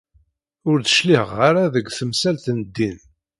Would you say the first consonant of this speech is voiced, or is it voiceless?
voiced